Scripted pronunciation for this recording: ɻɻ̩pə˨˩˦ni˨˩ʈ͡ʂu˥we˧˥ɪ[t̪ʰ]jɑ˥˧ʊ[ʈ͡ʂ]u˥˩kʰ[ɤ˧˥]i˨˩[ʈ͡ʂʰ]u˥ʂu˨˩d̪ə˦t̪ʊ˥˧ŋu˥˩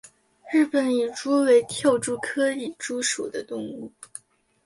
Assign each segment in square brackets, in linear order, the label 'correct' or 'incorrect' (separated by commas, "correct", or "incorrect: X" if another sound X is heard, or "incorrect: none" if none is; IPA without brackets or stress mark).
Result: correct, correct, incorrect: ɤ˥, incorrect: ʈ͡ʂ